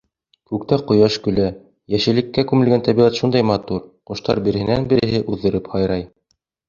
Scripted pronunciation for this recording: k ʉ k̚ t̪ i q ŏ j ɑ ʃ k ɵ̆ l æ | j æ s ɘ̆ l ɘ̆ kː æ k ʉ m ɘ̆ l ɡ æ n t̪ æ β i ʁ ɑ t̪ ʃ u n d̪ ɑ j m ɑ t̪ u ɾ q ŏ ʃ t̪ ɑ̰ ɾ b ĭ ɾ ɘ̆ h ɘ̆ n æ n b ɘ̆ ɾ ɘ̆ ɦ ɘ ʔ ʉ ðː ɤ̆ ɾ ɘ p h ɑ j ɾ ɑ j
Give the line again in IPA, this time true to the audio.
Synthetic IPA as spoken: k ʉ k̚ t̪ æ q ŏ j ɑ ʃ k ɵ̆ l æ | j æ ʃ ɘ̆ l ɘ̆ kː æ k ʉ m ɘ̆ l ɡ æ n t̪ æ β i ʁ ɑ t̪ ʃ u n d̪ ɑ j m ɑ t̪ u ɾ q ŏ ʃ t̪ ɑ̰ ɾ b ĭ ɾ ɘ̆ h ɘ̆ n æ n b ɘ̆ ɾ ɘ̆ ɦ ɘ ʔ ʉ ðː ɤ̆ ɾ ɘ p h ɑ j ɾ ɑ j